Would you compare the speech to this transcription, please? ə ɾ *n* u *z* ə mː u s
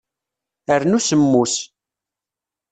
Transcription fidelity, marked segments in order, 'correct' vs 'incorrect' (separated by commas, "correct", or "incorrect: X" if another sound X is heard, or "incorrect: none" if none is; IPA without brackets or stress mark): correct, incorrect: s